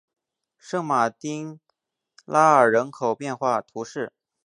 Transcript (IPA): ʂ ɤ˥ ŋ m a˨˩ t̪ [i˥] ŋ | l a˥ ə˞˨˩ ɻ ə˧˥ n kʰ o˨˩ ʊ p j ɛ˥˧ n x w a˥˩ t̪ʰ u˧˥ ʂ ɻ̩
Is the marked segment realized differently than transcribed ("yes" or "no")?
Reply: no